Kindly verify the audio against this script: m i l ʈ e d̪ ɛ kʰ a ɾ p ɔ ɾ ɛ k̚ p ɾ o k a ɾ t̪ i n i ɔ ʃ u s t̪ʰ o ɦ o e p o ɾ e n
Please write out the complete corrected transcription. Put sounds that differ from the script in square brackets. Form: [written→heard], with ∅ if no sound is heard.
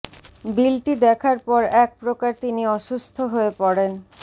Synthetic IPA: [m→b] i l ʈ [e→i] d̪ ɛ kʰ a ɾ p ɔ ɾ ɛ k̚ p ɾ o k a ɾ t̪ i n i ɔ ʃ u s t̪ʰ o ɦ o e p [o→ɔ] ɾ e n